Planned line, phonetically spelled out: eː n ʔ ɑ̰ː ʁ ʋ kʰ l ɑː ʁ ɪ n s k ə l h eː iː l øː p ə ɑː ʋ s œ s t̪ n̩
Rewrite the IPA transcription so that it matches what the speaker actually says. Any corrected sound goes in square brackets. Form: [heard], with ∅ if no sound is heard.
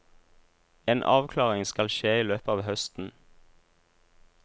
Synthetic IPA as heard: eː n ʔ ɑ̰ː [∅] ʋ kʰ l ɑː ʁ ɪ [ŋ] s k [ɑ] l [ʃ] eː iː l øː p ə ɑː ʋ [h] œ s t̪ n̩